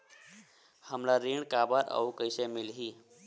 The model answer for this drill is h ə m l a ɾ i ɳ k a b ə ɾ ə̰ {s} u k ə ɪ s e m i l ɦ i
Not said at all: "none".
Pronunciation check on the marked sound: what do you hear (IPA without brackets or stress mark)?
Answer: none